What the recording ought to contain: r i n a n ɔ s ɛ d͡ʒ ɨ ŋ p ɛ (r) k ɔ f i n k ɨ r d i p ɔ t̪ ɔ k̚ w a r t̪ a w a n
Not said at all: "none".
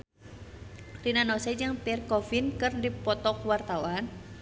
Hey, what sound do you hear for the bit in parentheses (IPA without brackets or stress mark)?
r